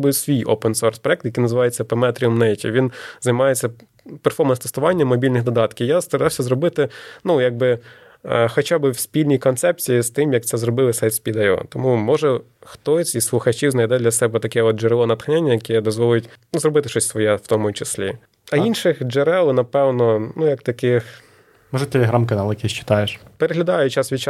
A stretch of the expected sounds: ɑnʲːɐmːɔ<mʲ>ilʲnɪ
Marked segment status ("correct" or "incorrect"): incorrect